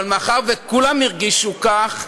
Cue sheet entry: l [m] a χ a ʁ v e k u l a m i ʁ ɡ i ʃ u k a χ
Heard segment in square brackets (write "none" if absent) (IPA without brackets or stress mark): m